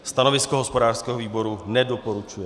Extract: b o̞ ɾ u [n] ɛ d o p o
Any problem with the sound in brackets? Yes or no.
no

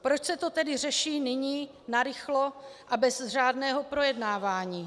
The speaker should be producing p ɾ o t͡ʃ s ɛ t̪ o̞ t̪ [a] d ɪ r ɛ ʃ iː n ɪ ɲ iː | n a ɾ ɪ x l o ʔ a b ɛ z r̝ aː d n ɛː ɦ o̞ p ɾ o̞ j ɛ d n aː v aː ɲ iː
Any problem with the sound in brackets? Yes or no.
yes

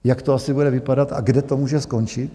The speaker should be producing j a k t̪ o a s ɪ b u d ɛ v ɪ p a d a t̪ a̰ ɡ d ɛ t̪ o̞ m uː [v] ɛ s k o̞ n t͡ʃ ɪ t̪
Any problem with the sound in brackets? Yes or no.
yes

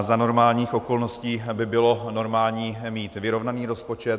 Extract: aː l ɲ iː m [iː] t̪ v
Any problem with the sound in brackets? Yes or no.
no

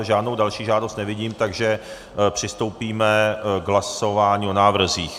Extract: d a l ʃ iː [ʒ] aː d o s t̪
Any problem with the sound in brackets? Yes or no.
no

